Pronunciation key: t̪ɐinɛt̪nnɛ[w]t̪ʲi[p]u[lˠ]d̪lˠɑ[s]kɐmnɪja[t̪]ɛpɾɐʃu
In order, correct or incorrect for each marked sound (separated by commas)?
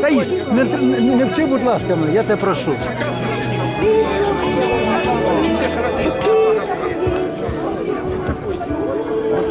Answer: correct, incorrect, incorrect, correct, correct